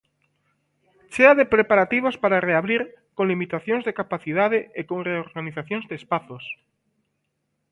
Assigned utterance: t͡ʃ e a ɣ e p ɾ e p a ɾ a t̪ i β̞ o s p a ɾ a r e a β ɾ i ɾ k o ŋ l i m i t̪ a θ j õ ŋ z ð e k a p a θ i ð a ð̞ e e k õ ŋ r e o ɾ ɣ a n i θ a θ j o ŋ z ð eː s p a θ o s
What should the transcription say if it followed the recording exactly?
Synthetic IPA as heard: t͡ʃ e a ð e p ɾ e p a ɾ a t̪ i β̞ o s p a ɾ a r e a β ɾ i ɾ k o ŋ l i m i t̪ a θ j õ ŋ z ð e k a p a θ i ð a ð̞ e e k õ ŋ r e o ɾ ɣ a n i θ a θ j o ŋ z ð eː s p a θ o s